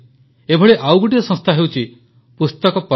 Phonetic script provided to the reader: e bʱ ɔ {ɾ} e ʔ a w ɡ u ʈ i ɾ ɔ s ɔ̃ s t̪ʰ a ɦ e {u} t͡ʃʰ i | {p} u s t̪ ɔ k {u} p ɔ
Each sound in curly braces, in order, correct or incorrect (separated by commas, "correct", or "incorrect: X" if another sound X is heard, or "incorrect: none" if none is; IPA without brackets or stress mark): incorrect: ɭ, incorrect: w, correct, incorrect: ɔ